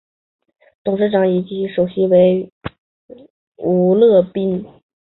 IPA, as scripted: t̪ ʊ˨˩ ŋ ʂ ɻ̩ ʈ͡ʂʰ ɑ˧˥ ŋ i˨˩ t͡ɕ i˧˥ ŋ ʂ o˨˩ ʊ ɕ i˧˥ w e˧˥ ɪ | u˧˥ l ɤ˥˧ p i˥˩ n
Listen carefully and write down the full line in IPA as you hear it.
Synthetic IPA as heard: t̪ ʊ˨˩ ŋ ʂ ɻ̩ ʈ͡ʂ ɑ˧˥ ŋ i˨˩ t͡ɕ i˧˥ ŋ ʂ o˨˩ ʊ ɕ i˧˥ w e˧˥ ɪ | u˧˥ l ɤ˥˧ p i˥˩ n